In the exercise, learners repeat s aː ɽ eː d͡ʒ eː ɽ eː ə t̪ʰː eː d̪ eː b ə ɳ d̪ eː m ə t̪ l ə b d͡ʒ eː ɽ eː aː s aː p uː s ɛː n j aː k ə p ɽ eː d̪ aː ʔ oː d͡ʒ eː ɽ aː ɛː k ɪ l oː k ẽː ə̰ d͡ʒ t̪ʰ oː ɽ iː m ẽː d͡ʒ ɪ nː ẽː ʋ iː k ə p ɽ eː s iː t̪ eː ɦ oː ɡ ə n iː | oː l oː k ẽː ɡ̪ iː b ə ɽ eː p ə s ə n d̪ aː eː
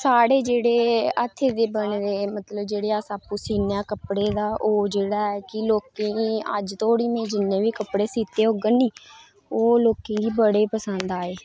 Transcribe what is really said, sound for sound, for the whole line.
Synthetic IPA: s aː ɽ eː d͡ʒ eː ɽ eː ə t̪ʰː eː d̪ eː b ə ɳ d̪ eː m ə t̪ l ə b d͡ʒ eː ɽ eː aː s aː p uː s iː n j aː k ə p ɽ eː d̪ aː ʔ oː d͡ʒ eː ɽ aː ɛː k ɪ l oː k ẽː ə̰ d͡ʒ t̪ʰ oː ɽ iː m ẽː d͡ʒ ɪ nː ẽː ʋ iː k ə p ɽ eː s iː t̪ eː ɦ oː ɡ ə n iː | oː l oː k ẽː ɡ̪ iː b ə ɽ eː p ə s ə n d̪ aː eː